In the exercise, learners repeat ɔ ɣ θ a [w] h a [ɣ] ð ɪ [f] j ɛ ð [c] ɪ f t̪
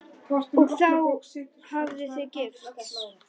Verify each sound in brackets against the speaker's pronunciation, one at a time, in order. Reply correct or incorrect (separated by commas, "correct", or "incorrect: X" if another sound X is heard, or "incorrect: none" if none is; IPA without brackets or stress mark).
correct, incorrect: v, incorrect: θ, correct